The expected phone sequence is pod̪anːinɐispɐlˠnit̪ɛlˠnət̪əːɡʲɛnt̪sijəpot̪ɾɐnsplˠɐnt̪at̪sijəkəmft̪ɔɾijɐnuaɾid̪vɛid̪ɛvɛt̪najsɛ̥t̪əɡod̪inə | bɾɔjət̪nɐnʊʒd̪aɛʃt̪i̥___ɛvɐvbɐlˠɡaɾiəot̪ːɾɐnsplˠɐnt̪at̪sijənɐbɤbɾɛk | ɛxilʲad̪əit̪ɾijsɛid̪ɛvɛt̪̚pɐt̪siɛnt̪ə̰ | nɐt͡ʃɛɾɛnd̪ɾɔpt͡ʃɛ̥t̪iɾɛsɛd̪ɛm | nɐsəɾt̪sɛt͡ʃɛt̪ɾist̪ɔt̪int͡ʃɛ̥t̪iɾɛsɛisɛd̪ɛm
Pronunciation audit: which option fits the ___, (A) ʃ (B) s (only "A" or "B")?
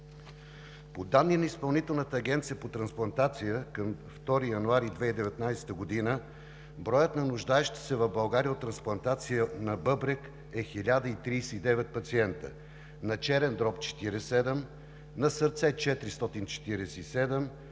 B